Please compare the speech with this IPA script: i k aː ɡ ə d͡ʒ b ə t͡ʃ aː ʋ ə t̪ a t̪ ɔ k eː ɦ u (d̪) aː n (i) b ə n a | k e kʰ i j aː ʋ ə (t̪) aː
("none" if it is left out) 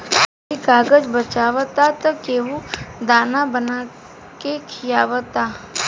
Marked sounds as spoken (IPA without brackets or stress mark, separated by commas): d̪, a, t̪